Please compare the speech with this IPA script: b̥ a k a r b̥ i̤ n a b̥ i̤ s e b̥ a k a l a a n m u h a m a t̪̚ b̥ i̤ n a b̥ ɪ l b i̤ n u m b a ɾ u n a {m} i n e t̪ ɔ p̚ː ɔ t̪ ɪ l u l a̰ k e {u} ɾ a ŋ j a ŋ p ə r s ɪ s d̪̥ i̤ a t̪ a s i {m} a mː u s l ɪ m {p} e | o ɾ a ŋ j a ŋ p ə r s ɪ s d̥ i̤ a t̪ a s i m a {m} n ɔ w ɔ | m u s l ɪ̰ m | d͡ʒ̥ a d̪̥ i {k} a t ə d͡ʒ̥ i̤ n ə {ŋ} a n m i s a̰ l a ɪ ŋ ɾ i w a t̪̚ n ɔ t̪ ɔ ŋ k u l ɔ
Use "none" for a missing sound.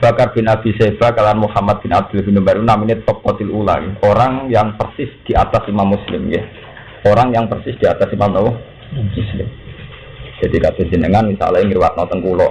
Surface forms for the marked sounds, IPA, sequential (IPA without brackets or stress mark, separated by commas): m, o, m, k, m, k, ŋ